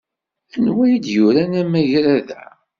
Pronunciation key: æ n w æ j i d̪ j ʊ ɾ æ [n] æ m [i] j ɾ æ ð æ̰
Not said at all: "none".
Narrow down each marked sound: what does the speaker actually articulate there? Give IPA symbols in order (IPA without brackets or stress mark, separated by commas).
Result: n, æ